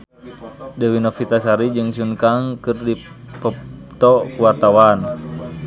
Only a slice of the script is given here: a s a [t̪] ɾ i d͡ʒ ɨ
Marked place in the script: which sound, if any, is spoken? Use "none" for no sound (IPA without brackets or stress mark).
none